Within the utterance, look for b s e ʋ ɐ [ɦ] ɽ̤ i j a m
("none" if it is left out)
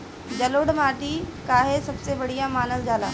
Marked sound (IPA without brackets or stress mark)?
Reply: none